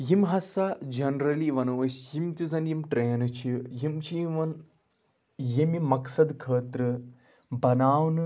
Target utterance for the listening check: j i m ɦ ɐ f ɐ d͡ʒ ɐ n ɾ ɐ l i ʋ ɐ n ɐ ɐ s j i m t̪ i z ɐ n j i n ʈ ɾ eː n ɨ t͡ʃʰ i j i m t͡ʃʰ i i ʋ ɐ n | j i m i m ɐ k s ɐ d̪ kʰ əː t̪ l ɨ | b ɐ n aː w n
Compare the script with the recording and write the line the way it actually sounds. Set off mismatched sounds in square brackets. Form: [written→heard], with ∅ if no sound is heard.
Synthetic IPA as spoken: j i m ɦ ɐ [f→s] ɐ d͡ʒ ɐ n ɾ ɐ l i ʋ ɐ n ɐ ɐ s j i m t̪ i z ɐ n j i [n→m] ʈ ɾ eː n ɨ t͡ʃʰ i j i m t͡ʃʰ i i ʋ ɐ n | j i m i m ɐ k s ɐ d̪ kʰ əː t̪ [l→ɾ] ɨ | b ɐ n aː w n